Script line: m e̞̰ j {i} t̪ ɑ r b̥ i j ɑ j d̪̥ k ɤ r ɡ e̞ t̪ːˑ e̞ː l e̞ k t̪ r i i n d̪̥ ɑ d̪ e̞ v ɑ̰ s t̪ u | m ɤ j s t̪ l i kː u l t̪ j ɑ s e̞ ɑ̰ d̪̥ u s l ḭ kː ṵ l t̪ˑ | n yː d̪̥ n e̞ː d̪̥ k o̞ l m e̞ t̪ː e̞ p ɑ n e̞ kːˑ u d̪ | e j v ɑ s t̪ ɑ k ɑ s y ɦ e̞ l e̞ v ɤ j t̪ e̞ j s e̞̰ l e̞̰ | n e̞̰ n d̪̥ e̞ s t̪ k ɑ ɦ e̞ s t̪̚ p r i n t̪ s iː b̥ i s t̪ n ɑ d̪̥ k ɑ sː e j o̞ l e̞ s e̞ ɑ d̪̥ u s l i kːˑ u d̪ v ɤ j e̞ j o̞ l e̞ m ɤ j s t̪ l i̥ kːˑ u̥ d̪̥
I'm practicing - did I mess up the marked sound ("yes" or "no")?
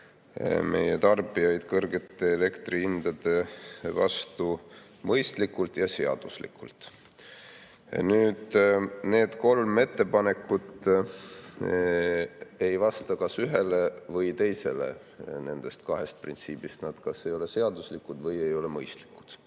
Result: yes